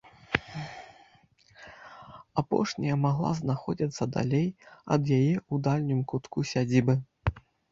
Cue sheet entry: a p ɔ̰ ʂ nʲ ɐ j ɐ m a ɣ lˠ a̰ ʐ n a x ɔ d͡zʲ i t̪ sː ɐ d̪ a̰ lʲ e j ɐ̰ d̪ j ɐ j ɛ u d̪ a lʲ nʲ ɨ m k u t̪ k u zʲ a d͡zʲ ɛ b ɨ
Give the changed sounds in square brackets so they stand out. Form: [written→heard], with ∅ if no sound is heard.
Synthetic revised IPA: a p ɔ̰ ʂ nʲ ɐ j ɐ m a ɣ lˠ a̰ [ʐ→z] n a x ɔ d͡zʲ i t̪ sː ɐ d̪ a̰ lʲ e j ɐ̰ d̪ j [ɐ→a] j ɛ u d̪ a lʲ nʲ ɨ m k u t̪ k u [zʲ→sʲ] a d͡zʲ [ɛ→i] b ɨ

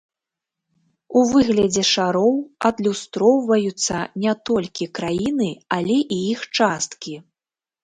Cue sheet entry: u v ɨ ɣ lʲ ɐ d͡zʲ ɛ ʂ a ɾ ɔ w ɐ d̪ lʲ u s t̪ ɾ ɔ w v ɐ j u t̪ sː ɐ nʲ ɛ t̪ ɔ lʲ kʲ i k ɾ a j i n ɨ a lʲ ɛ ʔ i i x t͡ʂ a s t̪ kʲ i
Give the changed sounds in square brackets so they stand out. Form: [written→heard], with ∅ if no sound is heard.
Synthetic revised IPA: u v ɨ ɣ lʲ ɐ d͡zʲ ɛ ʂ a ɾ ɔ w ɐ d̪ lʲ u s t̪ ɾ ɔ w v ɐ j u t̪ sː ɐ nʲ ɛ t̪ ɔ lʲ kʲ i k ɾ a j i n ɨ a lʲ ɛ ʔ i i x t͡ʂ a s t̪ kʲ i

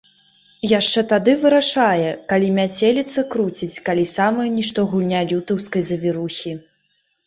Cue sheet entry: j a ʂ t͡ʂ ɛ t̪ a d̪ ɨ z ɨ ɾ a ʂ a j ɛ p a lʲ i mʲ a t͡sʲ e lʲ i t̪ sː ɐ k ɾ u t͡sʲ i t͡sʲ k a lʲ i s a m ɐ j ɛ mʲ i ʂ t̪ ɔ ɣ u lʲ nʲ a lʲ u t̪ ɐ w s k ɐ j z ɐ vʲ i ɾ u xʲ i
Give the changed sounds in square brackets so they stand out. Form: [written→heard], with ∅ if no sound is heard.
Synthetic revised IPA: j a ʂ t͡ʂ ɛ t̪ a d̪ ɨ [z→v] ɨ ɾ a ʂ a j ɛ [p→k] a lʲ i mʲ a t͡sʲ e lʲ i t̪ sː ɐ k ɾ u t͡sʲ i t͡sʲ k a lʲ i s a m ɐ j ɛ [mʲ→nʲ] i ʂ t̪ ɔ ɣ u lʲ nʲ a lʲ u t̪ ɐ w s k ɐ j z ɐ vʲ i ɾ u xʲ i

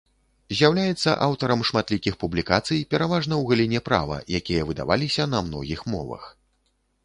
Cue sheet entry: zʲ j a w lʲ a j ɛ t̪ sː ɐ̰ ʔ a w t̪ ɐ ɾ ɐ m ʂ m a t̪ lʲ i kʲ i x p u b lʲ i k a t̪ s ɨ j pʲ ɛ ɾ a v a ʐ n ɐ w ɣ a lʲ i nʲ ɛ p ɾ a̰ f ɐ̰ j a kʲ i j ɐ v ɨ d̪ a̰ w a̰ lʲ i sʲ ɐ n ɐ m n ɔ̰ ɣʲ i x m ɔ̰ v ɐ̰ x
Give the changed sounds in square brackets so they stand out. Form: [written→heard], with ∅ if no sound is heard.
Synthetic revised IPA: zʲ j a w lʲ a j ɛ t̪ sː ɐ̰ ʔ a w t̪ ɐ ɾ ɐ m ʂ m a t̪ lʲ i kʲ i x p u b lʲ i k a t̪ s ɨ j pʲ ɛ ɾ a v a ʐ n ɐ w ɣ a lʲ i nʲ ɛ p ɾ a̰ [f→v] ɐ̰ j a kʲ i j ɐ v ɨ d̪ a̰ [w→v] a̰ lʲ i sʲ ɐ n ɐ m n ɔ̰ ɣʲ i x m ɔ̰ v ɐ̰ x

